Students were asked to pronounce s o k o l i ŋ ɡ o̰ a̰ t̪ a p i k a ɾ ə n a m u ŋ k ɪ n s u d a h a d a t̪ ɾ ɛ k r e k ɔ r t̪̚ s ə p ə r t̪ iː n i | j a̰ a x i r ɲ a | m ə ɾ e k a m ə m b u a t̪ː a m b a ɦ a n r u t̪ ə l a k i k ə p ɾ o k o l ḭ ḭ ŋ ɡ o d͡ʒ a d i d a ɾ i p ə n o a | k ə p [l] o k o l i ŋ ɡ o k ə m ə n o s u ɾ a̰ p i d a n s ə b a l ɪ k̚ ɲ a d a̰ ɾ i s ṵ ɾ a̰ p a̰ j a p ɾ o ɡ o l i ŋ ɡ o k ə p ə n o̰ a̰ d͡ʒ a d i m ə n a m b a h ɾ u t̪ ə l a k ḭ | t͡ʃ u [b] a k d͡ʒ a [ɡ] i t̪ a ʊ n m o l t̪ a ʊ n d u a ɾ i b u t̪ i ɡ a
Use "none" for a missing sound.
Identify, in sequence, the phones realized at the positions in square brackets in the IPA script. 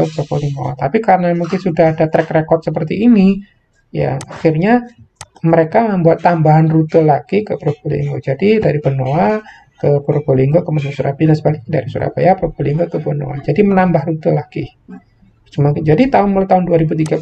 ɾ, m, d

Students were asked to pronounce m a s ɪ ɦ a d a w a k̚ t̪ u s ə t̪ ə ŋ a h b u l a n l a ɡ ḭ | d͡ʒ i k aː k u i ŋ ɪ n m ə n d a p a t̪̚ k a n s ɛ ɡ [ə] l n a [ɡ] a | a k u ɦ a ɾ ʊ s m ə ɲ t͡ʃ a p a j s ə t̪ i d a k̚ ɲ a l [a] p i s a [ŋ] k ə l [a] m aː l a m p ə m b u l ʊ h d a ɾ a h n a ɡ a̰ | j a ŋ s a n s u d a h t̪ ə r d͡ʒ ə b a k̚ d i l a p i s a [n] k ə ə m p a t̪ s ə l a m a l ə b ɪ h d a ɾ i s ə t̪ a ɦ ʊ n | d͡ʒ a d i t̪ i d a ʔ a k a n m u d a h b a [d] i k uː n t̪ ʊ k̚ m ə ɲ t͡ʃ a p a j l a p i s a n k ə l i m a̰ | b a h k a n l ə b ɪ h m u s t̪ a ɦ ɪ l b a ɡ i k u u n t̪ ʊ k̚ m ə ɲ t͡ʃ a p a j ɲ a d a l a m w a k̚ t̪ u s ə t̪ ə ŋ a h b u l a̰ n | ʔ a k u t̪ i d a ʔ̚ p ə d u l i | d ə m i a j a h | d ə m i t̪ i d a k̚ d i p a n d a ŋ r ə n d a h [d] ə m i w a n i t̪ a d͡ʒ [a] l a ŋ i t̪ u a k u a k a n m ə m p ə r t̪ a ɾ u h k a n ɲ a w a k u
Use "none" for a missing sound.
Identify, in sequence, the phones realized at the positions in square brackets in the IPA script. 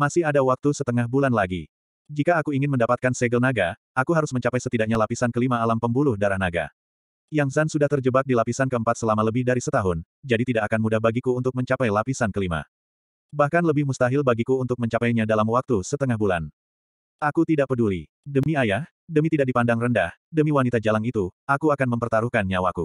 ə, ɡ, a, n, i, n, ɡ, d, a

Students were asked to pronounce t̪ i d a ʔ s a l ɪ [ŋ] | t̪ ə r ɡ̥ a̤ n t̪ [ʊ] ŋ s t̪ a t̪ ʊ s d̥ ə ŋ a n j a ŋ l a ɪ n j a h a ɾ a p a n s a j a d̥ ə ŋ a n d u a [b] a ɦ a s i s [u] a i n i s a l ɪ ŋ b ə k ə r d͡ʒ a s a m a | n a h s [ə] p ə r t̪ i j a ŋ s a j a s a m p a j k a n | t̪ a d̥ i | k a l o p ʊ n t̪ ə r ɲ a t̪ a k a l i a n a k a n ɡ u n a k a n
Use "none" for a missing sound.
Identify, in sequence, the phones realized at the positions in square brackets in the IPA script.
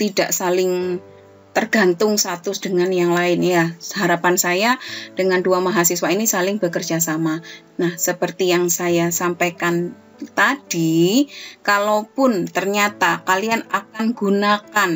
ŋ, ʊ, m, w, ə

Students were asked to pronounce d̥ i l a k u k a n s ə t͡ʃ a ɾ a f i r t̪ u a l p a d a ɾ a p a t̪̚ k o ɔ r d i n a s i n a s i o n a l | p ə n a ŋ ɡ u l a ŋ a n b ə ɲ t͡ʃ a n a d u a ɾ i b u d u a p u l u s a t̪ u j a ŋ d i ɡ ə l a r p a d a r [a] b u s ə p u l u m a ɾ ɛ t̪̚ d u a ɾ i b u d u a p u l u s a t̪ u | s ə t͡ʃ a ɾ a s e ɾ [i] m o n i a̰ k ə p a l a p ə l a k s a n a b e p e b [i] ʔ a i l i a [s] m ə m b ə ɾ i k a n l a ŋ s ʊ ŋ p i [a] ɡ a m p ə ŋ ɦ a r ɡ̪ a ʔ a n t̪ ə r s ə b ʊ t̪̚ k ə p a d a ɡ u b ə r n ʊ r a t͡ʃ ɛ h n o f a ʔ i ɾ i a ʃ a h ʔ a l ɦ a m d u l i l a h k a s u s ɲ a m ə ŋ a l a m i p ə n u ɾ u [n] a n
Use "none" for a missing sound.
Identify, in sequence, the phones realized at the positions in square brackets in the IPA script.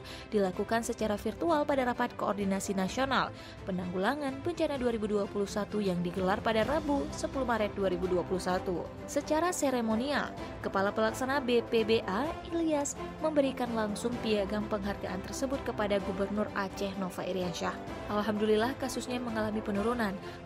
a, e, e, s, a, n

